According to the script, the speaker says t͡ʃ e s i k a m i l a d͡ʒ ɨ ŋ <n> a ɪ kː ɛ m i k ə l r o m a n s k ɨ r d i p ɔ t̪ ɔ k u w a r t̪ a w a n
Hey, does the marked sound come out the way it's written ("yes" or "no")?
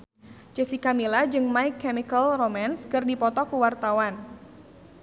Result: no